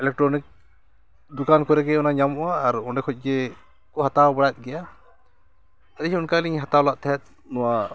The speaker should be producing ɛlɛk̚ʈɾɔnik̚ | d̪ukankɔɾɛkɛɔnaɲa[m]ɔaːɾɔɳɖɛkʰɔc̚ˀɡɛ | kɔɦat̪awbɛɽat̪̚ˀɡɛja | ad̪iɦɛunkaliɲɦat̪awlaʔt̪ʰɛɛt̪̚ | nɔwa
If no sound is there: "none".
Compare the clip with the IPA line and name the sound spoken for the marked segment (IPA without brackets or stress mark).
m